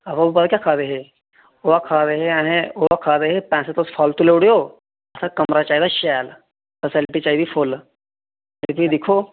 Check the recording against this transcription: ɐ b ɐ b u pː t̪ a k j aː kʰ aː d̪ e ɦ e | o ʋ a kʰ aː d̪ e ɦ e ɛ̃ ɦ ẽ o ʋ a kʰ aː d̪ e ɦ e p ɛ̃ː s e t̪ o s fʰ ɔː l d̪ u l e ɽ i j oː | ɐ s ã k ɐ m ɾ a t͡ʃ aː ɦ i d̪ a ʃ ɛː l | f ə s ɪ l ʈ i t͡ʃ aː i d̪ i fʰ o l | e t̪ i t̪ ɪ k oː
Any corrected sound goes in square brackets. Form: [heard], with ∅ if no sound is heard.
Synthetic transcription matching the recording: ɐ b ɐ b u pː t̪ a k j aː kʰ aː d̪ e ɦ e | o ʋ a kʰ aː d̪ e ɦ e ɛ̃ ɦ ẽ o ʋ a kʰ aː d̪ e ɦ e p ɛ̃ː s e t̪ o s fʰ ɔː l [t̪] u l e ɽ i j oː | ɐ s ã k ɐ m ɾ a t͡ʃ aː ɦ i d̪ a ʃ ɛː l | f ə s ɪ l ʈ i t͡ʃ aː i d̪ i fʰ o l | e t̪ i [d̪] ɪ [kʰ] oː

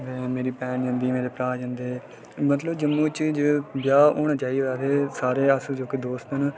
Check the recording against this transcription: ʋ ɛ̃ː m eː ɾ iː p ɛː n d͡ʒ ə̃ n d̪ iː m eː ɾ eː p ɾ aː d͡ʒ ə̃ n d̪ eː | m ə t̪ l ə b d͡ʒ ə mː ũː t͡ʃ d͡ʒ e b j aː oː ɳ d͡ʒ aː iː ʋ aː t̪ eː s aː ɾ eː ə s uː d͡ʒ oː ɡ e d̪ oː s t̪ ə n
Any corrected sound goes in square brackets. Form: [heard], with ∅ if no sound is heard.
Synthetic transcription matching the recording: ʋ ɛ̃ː m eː ɾ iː p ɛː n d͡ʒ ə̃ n d̪ iː m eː ɾ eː p ɾ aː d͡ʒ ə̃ n d̪ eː | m ə t̪ l ə b d͡ʒ ə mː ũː t͡ʃ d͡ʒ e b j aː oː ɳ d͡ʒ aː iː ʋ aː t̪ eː s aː ɾ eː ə s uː d͡ʒ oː [k] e d̪ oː s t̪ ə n

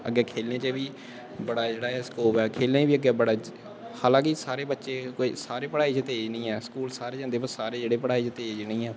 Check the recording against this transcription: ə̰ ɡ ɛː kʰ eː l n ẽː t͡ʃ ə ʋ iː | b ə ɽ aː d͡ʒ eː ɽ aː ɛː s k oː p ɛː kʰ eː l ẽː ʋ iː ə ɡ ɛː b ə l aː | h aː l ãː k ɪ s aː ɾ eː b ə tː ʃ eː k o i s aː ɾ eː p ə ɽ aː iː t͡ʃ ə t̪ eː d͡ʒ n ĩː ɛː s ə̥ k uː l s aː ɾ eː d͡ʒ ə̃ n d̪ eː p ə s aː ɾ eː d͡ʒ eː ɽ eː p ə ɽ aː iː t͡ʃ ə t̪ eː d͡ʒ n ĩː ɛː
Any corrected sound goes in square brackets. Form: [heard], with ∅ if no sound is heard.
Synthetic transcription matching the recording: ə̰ ɡ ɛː kʰ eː l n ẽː t͡ʃ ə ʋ iː | b ə ɽ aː d͡ʒ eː ɽ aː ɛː s k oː p ɛː kʰ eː l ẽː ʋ iː ə ɡ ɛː b ə [ɽ] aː | h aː l ãː k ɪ s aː ɾ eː b ə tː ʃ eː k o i s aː ɾ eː p ə ɽ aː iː t͡ʃ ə t̪ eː d͡ʒ n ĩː ɛː s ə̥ k uː l s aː ɾ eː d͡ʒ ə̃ n d̪ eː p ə s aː ɾ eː d͡ʒ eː ɽ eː p ə ɽ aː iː t͡ʃ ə t̪ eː d͡ʒ n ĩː ɛː

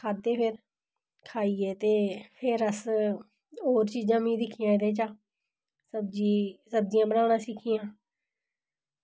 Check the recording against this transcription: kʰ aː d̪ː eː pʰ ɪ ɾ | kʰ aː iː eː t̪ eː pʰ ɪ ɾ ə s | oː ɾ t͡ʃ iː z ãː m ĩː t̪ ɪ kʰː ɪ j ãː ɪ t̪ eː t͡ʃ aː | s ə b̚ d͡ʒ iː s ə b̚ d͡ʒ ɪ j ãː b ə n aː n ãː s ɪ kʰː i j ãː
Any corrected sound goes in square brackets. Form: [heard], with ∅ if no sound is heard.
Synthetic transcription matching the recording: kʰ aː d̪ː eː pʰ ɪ ɾ | kʰ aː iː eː t̪ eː pʰ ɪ ɾ ə s | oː ɾ t͡ʃ iː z ãː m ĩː [d̪] ɪ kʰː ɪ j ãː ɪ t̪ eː t͡ʃ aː | s ə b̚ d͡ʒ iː s ə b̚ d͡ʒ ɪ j ãː b ə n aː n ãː s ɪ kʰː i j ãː

